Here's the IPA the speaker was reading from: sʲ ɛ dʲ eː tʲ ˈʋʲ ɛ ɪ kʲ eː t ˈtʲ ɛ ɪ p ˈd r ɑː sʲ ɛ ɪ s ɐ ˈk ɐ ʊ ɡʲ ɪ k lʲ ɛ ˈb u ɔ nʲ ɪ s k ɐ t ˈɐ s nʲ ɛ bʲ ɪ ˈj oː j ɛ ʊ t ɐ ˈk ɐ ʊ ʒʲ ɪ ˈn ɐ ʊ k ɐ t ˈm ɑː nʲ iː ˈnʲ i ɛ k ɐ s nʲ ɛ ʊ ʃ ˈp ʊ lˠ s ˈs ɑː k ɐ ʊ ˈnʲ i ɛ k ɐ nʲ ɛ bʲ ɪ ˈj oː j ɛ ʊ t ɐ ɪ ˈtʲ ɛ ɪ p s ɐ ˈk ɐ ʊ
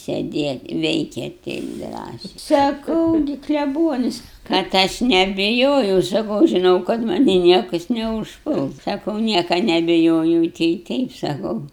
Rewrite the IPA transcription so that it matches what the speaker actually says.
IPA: sʲ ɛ dʲ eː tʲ ˈʋʲ ɛ ɪ kʲ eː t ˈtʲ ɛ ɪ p ˈd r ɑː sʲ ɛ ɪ s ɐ ˈk ɐ ʊ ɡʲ ɪ k lʲ ɛ ˈb u ɔ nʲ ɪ s k ɐ t ˈɐ ʃ nʲ ɛ bʲ ɪ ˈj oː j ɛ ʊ s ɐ ˈk ɐ ʊ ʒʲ ɪ ˈn ɐ ʊ k ɐ t ˈm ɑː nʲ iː ˈnʲ i ɛ k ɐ s nʲ ɛ ʊ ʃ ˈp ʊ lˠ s ˈs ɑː k ɐ ʊ ˈnʲ i ɛ k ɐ nʲ ɛ bʲ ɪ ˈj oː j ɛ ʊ t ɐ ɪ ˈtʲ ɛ ɪ p s ɐ ˈk ɐ ʊ